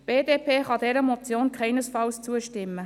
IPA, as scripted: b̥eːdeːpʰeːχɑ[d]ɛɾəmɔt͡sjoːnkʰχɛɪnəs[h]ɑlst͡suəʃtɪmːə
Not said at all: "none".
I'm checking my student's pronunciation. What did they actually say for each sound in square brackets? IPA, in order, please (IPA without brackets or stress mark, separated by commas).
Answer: d, f